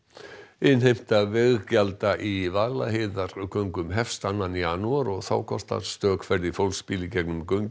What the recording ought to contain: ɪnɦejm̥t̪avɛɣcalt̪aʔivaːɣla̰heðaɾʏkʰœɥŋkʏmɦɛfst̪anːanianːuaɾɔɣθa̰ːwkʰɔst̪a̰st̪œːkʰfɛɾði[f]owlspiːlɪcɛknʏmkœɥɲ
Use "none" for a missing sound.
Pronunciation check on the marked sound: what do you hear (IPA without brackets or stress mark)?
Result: f